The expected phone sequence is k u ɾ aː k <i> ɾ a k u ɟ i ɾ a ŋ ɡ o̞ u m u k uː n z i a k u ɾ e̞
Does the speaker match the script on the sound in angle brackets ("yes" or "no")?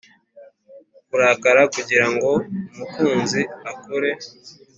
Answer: no